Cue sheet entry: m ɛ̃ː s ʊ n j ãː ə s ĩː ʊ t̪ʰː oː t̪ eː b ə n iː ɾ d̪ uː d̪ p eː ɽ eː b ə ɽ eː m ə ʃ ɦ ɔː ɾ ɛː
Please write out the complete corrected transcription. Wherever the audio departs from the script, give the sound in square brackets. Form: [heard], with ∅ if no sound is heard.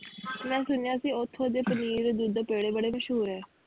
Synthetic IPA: m ɛ̃ː s ʊ n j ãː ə s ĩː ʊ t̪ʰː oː [d̪] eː [p] ə n iː ɾ d̪ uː d̪ p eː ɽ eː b ə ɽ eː m ə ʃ ɦ [uː] ɾ ɛː

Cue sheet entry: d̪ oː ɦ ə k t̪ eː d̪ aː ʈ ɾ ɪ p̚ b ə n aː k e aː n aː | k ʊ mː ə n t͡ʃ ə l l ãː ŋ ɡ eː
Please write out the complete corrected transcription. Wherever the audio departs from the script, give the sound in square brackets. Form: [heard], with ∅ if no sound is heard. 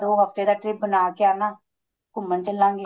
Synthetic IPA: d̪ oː ɦ ə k t̪ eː d̪ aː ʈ ɾ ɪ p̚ b ə n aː k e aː n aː | k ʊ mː ə n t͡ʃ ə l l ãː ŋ ɡ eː

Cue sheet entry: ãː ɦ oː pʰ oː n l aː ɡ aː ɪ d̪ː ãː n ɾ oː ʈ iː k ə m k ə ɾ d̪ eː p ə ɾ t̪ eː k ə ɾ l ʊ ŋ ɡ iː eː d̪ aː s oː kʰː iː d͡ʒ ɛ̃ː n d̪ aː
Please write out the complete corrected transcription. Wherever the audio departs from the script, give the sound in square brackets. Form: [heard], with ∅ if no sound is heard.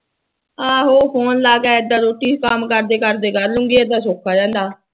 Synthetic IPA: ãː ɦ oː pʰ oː n l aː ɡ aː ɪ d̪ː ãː [∅] ɾ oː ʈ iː k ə m k ə ɾ d̪ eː [k] ə ɾ [d̪] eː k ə ɾ l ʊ ŋ ɡ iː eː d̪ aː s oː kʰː [aː] d͡ʒ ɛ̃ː n d̪ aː

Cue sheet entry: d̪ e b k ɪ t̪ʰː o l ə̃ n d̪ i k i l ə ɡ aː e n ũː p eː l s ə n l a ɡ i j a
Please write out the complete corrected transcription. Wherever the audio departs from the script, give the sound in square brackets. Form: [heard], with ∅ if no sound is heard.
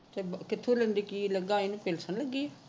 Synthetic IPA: [t̪] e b k ɪ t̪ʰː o l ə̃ n d̪ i k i l ə ɡ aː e n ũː p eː l s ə n l [ə] ɡ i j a

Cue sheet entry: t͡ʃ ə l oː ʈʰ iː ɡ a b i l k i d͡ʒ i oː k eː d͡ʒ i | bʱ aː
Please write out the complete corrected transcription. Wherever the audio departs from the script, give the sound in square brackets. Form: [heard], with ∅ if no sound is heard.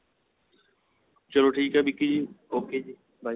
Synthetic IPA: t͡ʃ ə l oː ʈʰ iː [k] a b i [∅] k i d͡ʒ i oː k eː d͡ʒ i | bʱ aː

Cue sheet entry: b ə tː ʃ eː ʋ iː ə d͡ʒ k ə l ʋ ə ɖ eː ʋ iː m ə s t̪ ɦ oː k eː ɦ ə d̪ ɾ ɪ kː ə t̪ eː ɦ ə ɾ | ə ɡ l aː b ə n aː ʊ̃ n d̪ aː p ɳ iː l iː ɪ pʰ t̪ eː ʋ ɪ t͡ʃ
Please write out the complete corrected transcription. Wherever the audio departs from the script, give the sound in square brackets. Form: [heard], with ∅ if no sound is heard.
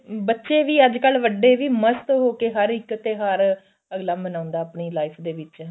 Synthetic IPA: b ə tː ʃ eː ʋ iː ə d͡ʒ k ə l ʋ ə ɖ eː ʋ iː m ə s t̪ ɦ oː k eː ɦ ə [∅] ɾ ɪ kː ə t̪ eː ɦ ə ɾ | ə ɡ l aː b ə n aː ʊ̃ n d̪ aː p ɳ iː l [aː] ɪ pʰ [d̪] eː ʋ ɪ t͡ʃ

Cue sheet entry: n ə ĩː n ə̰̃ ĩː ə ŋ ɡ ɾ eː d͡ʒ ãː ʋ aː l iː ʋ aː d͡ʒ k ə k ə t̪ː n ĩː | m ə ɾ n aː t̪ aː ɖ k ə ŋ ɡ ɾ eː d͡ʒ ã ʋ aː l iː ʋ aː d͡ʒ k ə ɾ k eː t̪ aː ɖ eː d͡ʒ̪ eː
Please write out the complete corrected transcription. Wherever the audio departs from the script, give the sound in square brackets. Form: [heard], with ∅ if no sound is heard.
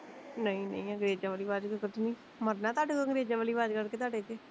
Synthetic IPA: n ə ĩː n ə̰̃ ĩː ə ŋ ɡ ɾ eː d͡ʒ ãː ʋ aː l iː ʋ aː d͡ʒ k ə k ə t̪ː n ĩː | m ə ɾ n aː t̪ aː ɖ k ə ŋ ɡ ɾ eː d͡ʒ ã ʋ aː l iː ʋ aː d͡ʒ k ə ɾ k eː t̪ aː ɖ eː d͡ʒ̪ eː

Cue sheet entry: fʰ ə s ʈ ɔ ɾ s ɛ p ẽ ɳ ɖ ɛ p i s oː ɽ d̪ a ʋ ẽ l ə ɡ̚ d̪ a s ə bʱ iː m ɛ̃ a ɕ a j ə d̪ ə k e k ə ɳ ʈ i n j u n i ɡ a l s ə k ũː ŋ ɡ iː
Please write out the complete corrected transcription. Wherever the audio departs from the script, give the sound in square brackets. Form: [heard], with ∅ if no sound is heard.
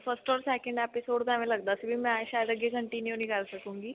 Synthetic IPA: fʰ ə s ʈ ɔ ɾ s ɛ [k] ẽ ɳ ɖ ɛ p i s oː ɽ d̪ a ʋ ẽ l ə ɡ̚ d̪ a s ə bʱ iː m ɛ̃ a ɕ a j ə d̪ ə [ɡ] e k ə ɳ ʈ i n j u n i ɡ a l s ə k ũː ŋ ɡ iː

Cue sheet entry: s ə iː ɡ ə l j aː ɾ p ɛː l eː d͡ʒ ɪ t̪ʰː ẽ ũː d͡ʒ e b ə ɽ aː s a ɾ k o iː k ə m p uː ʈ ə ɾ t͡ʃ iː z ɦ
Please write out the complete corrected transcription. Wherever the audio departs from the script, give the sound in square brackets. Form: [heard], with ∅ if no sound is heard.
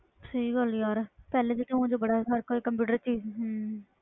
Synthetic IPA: s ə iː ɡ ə l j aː ɾ p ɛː l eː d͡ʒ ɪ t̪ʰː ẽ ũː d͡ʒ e b ə ɽ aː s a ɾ k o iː k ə m p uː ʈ ə ɾ t͡ʃ iː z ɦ

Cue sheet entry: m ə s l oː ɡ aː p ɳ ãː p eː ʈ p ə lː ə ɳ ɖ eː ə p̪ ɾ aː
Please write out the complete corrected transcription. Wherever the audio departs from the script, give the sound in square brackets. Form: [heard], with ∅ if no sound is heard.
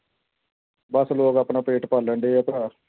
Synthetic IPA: [b] ə s l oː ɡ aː p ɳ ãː p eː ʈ p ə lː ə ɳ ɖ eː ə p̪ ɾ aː

